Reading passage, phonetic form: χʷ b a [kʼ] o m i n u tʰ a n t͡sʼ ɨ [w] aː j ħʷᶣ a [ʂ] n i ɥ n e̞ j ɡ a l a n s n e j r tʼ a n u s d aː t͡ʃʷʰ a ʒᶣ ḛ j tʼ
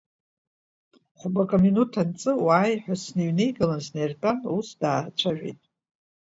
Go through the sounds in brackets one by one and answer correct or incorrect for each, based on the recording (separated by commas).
correct, correct, incorrect